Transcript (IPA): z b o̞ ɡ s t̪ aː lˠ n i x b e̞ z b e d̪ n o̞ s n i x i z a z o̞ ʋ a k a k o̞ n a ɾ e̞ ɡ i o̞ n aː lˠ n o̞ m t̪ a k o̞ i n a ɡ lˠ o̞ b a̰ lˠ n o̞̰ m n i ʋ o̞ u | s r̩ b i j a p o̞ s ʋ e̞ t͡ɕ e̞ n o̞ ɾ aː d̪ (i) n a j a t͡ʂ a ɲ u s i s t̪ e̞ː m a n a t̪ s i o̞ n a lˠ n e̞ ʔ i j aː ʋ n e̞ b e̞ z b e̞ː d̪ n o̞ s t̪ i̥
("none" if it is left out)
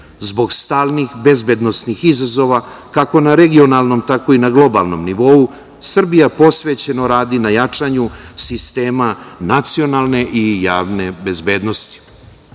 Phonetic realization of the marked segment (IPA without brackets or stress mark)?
i